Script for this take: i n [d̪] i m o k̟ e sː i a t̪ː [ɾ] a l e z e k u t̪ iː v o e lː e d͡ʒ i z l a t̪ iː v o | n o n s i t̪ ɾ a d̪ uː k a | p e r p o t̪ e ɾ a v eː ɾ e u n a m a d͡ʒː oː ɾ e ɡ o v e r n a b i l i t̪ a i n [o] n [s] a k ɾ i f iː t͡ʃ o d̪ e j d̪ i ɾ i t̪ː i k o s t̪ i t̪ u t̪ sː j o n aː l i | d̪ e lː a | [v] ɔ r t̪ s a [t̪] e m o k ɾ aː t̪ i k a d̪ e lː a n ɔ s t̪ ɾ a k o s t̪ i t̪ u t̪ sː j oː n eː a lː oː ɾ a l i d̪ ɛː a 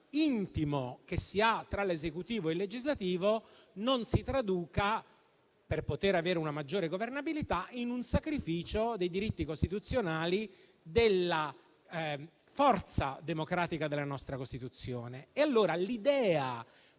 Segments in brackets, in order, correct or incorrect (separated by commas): incorrect, correct, incorrect, correct, incorrect, incorrect